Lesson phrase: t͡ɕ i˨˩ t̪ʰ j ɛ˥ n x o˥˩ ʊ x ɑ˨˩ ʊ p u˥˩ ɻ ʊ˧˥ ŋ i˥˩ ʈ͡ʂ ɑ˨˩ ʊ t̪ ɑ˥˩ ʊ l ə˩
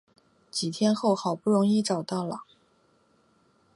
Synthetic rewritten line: t͡ɕ i˨˩ t̪ʰ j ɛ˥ n x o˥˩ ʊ x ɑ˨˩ ʊ p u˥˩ ɻ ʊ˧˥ ŋ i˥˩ ʈ͡ʂ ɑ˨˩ ʊ t̪ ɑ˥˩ ʊ l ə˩